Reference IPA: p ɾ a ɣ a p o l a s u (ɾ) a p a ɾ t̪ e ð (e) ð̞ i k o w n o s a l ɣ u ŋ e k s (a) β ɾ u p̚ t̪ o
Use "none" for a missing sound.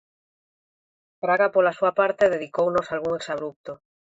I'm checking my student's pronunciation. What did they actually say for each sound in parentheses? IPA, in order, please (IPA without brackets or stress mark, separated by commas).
none, e, a